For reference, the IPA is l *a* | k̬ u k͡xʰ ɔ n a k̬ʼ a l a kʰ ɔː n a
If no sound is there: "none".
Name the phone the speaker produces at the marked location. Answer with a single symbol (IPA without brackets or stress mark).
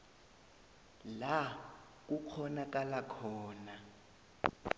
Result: a